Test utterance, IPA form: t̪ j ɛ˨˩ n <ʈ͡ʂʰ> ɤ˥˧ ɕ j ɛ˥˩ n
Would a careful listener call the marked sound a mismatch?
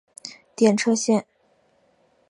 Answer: no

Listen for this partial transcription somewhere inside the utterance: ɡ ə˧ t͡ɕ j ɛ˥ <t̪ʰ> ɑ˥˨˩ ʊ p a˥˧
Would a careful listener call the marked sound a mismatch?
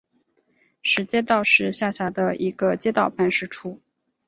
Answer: yes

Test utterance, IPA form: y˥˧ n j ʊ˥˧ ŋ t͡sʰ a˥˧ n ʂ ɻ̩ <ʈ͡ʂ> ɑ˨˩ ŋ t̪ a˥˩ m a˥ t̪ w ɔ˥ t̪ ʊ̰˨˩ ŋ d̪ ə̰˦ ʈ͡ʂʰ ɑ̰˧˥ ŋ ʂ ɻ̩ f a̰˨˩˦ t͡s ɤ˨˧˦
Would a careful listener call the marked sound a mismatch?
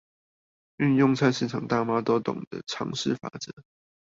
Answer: yes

